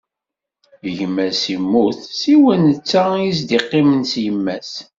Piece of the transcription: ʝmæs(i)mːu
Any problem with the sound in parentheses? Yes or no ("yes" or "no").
no